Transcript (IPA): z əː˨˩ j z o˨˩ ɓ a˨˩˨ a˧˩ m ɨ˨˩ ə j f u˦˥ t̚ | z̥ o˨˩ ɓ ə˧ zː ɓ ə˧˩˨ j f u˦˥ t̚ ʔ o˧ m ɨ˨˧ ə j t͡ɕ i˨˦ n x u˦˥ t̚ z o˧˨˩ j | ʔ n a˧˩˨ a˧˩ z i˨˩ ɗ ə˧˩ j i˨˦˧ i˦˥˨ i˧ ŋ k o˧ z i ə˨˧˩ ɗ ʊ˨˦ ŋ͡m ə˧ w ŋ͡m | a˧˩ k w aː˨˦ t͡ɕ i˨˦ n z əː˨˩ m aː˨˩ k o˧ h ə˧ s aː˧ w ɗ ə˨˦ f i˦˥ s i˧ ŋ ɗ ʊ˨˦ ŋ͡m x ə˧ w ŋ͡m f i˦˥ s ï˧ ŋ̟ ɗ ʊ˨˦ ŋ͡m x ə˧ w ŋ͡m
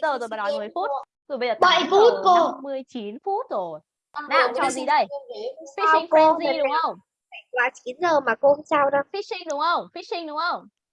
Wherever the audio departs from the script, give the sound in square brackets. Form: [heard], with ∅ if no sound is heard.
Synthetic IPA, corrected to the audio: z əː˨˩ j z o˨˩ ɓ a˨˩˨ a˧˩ m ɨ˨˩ ə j f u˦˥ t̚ | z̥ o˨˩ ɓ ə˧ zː ɓ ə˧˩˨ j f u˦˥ t̚ [k] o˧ m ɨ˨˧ ə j t͡ɕ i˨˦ n [f] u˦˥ t̚ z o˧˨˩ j | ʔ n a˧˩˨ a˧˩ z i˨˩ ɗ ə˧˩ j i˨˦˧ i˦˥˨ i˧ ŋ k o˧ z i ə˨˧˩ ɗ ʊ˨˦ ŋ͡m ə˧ w ŋ͡m | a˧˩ k w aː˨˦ t͡ɕ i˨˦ n z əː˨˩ m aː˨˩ k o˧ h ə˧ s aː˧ w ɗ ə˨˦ f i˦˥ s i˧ ŋ ɗ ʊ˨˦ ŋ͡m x ə˧ w ŋ͡m f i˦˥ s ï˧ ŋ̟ ɗ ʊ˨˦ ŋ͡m x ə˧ w ŋ͡m

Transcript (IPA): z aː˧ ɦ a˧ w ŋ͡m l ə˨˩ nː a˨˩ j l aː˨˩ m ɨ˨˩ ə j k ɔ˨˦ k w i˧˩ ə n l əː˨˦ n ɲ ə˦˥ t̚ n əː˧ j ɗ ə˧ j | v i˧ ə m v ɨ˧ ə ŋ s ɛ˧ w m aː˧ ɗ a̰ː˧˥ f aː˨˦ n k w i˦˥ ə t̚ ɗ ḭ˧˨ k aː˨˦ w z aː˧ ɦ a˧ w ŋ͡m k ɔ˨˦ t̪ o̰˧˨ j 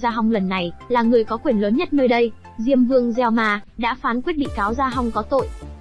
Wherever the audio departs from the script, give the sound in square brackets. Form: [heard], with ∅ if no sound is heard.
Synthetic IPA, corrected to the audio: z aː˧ ɦ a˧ w ŋ͡m l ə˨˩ nː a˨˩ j l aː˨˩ [ŋ] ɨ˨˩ ə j k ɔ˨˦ k w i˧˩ ə n l əː˨˦ n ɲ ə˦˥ t̚ n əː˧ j ɗ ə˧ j | [z] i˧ ə m v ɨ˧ ə ŋ [z] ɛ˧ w m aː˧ ɗ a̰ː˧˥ f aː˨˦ n k w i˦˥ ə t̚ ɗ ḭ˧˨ k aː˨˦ w z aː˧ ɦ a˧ w ŋ͡m k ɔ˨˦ t̪ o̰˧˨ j

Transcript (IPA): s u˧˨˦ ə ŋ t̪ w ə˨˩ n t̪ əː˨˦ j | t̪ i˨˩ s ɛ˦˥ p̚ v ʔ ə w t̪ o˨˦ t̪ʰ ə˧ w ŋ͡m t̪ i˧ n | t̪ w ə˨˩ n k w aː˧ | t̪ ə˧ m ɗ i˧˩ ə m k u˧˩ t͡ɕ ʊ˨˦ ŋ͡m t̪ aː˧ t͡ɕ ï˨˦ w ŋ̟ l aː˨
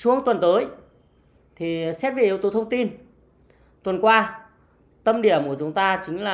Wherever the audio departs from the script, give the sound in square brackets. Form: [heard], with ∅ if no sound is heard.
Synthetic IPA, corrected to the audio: s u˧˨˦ ə ŋ t̪ w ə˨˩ n t̪ əː˨˦ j | [t̪ʰ] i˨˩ s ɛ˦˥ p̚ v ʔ ə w t̪ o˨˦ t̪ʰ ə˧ w ŋ͡m t̪ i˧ n | t̪ w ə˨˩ n k w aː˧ | t̪ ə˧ m ɗ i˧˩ ə m k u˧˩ t͡ɕ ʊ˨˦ ŋ͡m t̪ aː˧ t͡ɕ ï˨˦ [∅] ŋ̟ l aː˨

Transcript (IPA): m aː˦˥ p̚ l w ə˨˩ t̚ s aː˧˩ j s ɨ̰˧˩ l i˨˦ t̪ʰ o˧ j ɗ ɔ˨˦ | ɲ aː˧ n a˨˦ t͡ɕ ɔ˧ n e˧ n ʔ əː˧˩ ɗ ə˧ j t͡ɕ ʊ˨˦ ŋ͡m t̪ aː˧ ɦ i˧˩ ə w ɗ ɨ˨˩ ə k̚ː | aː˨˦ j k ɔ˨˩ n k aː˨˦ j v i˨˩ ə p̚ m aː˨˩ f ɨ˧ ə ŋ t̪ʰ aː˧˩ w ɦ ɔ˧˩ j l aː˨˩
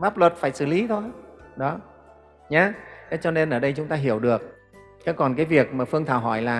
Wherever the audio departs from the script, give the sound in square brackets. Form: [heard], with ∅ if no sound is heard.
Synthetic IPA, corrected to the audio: m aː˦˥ p̚ l w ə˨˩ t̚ [f] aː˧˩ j s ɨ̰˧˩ l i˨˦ t̪ʰ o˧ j ɗ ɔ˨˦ | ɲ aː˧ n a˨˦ t͡ɕ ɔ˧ n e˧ n ʔ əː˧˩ ɗ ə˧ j t͡ɕ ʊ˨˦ ŋ͡m t̪ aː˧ ɦ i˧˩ ə w ɗ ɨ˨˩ ə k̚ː | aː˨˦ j k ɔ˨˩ n k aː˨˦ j v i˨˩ ə [k̚] m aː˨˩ f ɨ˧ ə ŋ t̪ʰ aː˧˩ w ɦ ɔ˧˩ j l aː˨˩

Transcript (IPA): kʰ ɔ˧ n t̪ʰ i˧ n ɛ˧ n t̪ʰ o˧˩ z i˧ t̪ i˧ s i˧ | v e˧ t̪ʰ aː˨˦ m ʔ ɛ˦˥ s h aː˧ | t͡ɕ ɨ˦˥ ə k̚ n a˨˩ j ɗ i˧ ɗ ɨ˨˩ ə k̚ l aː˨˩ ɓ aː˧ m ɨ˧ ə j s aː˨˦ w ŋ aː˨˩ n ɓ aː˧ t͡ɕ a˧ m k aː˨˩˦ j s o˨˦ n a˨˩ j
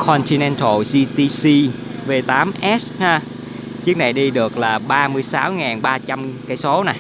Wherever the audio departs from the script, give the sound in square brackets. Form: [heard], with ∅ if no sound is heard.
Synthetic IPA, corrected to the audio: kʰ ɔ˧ n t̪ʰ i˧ n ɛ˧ n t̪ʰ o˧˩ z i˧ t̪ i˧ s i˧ | v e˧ [t̪] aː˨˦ m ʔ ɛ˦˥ s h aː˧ | t͡ɕ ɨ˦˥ ə k̚ n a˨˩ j ɗ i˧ ɗ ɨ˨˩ ə k̚ l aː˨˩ ɓ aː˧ m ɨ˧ ə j s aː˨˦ w ŋ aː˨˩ n ɓ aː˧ t͡ɕ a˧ m k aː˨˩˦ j s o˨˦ n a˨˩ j

